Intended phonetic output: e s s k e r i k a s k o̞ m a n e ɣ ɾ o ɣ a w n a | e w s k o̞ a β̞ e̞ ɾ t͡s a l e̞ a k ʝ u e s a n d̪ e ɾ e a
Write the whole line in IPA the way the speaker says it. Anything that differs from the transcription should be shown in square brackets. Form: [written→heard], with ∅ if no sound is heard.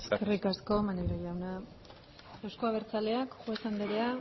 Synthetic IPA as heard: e s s k e r i k a s k o̞ m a n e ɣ ɾ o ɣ a w n a | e w s k o̞ a β̞ e̞ ɾ t͡s a l e̞ a k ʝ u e s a n d̪ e ɾ e a